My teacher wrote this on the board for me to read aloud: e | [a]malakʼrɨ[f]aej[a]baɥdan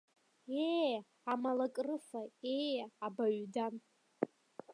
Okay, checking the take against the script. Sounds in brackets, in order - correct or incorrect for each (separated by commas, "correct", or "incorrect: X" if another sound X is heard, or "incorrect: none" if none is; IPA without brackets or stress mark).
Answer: correct, correct, correct